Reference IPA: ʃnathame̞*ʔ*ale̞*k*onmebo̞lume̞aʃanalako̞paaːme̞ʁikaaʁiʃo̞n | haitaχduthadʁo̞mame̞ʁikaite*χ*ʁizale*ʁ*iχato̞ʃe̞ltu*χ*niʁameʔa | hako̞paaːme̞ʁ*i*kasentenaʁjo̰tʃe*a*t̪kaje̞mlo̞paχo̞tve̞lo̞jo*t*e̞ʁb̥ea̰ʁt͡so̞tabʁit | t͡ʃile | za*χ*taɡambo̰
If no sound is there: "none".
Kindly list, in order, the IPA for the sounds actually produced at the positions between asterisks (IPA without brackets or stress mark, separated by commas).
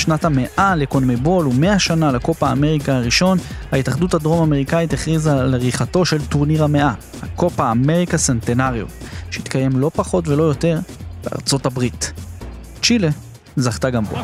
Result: ʔ, k, χ, ʁ, ʁ, i, i, t, χ